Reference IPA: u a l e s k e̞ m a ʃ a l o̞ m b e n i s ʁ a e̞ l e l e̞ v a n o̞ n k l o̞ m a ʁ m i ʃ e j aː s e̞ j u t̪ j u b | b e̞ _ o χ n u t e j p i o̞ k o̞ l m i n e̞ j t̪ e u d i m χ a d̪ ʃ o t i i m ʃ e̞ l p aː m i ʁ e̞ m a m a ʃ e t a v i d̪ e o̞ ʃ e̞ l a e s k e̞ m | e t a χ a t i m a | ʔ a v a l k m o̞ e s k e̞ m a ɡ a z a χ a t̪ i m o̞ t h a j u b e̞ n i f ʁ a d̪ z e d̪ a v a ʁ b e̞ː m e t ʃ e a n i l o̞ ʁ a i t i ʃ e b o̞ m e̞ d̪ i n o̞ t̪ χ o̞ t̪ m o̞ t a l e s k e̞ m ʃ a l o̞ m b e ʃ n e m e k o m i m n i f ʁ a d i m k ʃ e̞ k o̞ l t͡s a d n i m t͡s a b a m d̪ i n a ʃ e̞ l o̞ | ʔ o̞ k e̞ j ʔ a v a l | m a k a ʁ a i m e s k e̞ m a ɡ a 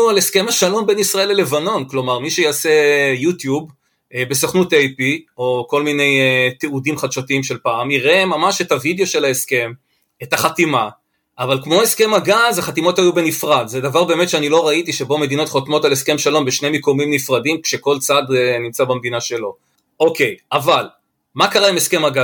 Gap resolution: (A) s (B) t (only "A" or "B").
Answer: A